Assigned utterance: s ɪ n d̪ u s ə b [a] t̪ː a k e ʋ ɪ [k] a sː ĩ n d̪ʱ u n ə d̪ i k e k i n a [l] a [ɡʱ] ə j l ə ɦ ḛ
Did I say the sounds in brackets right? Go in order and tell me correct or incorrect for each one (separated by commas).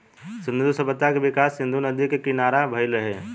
incorrect, correct, incorrect, incorrect